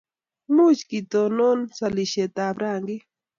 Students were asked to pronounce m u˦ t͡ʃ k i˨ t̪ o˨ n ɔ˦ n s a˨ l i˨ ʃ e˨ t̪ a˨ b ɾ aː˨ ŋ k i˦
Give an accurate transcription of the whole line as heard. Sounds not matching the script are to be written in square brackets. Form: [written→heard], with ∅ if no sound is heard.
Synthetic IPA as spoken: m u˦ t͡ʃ k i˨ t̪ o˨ n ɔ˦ n s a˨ l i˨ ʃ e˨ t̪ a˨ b ɾ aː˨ ŋ [k→ɡ] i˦